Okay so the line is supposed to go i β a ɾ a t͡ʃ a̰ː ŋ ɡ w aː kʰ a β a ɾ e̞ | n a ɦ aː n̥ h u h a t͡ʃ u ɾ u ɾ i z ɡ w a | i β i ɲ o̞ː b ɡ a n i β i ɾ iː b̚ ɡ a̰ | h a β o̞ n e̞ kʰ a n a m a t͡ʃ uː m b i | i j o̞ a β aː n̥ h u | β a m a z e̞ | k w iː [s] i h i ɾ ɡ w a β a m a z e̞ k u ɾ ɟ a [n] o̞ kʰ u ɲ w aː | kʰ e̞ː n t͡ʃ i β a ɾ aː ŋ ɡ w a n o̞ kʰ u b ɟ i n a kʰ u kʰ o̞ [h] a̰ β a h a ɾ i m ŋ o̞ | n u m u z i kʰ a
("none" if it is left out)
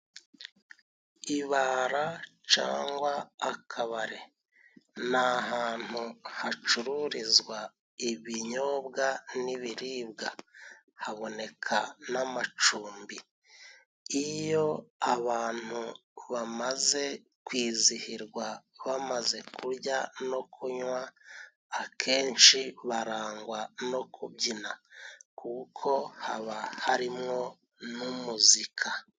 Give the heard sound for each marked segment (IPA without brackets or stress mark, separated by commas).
z, n, h